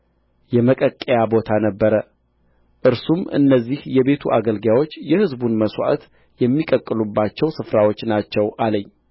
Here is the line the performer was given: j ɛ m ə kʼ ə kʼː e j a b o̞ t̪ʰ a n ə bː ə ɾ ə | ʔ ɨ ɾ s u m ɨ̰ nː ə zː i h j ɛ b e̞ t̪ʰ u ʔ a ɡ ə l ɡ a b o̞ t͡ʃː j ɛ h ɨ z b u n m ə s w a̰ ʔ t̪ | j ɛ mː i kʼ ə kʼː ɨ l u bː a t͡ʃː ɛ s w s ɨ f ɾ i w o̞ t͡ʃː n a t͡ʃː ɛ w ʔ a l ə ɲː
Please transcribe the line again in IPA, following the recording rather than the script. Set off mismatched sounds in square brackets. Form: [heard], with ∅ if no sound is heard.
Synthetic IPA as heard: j ɛ m ə kʼ ə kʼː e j a b o̞ t̪ʰ a n ə bː ə ɾ ə | ʔ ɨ ɾ s u m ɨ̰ nː ə zː i h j ɛ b e̞ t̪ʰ u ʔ a ɡ ə l ɡ a [w] o̞ t͡ʃː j ɛ h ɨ z b u n m ə s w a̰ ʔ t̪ | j ɛ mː i kʼ ə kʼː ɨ l u bː a t͡ʃː ɛ [∅] w s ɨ f ɾ [a] w o̞ t͡ʃː n a t͡ʃː ɛ w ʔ a l ə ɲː